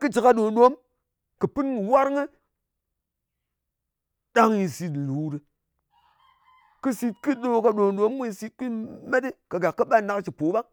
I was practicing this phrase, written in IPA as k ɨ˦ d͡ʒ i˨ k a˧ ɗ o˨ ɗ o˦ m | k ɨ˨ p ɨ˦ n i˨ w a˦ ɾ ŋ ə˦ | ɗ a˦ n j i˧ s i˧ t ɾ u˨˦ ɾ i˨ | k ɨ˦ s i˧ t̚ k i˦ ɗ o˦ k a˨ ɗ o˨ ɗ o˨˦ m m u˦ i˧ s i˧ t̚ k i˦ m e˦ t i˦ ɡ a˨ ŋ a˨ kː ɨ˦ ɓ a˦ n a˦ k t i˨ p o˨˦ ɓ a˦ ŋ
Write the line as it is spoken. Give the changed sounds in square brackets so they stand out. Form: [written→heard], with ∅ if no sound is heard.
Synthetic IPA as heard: k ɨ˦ d͡ʒ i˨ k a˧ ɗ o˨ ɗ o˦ m | k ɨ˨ p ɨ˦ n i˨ w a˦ ɾ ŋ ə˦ | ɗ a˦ [n→ŋ] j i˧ s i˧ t [ɾ→l] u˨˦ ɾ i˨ | k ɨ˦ s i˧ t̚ k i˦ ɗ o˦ k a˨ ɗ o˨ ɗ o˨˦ m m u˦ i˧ s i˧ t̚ k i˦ m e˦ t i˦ [ɡ→k] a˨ [ŋ→ɡ] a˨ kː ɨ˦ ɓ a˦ n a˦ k [t→t͡ʃ] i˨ p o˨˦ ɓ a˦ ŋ